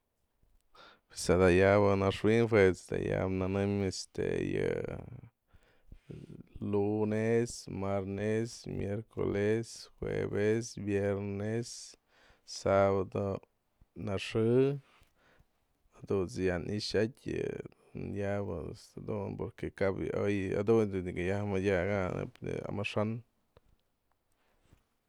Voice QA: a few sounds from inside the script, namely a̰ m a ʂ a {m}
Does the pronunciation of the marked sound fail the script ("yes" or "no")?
yes